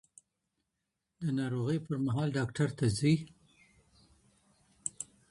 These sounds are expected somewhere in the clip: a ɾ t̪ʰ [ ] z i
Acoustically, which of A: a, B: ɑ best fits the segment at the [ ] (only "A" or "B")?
A